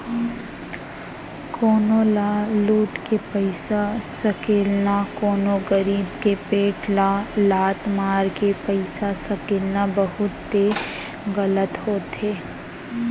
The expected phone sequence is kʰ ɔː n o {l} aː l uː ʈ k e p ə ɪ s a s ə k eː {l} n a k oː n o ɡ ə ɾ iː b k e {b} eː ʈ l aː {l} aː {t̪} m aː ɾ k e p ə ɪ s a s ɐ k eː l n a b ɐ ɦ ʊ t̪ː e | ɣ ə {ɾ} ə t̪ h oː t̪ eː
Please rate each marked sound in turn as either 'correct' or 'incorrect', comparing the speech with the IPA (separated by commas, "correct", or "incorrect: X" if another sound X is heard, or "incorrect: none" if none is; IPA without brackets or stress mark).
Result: correct, correct, incorrect: p, correct, correct, incorrect: l